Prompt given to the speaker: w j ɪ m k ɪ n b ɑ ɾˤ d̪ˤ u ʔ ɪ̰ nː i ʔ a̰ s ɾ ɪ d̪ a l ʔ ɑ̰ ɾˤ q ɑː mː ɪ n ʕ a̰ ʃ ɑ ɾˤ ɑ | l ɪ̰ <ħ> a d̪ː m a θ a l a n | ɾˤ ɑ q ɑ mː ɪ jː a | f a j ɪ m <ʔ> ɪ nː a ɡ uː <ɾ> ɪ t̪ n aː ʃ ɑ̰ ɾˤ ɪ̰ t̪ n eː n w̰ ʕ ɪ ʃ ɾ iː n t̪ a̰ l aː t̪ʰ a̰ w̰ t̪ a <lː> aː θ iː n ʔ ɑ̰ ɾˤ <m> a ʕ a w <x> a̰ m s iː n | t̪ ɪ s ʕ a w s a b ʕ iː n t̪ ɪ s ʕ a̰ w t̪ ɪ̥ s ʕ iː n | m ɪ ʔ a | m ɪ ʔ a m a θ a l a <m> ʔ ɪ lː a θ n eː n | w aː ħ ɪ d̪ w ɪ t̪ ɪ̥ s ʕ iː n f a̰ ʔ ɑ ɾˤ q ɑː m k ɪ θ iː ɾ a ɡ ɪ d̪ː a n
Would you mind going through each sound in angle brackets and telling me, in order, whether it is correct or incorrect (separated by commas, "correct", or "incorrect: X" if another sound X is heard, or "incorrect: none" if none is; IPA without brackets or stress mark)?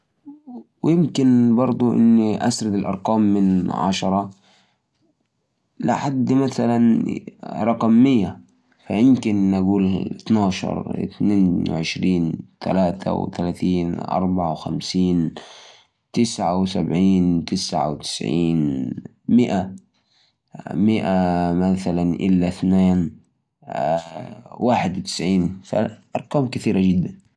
correct, incorrect: k, incorrect: l, incorrect: l, incorrect: b, correct, incorrect: n